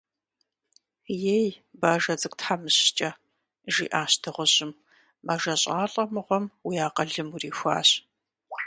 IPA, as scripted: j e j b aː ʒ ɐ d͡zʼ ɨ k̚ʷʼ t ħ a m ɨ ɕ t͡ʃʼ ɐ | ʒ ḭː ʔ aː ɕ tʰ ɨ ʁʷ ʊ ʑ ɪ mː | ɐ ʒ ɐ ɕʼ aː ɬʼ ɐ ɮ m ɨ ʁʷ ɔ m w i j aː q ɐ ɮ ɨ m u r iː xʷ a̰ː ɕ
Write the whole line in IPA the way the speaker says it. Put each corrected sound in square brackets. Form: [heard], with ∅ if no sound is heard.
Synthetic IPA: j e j b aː ʒ ɐ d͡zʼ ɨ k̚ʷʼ t ħ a m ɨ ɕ t͡ʃʼ ɐ | ʒ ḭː ʔ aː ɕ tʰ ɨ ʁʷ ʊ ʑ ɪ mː | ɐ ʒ ɐ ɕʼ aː ɬʼ ɐ [∅] m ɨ ʁʷ ɔ m w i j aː q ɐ ɮ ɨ m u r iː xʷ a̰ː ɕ